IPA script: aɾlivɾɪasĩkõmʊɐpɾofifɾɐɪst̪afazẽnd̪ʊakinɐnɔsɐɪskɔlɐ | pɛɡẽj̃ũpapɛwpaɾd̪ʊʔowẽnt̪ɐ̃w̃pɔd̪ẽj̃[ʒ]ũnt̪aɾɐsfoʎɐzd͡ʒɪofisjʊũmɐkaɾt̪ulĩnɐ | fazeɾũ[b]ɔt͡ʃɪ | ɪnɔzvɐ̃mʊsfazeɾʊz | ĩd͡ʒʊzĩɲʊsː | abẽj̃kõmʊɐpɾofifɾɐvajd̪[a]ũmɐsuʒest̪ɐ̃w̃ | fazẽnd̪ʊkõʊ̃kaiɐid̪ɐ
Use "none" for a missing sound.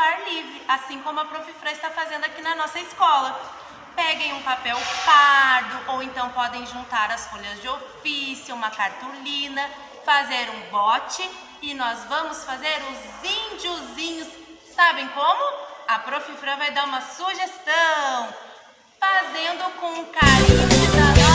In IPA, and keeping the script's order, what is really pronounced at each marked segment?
ʒ, b, a

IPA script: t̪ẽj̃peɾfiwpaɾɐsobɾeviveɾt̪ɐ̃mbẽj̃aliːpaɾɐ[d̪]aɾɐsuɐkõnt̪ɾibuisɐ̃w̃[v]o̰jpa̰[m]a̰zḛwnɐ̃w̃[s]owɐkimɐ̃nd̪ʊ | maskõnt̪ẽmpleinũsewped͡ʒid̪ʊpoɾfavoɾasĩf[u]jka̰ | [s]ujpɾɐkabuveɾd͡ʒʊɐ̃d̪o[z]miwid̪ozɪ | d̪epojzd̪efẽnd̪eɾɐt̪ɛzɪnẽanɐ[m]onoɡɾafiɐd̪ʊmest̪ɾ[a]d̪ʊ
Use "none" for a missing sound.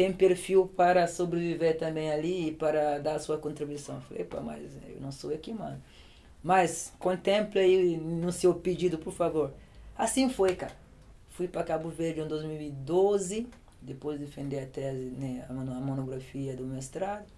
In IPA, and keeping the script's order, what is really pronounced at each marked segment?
d̪, f, m, s, o, f, z, m, a

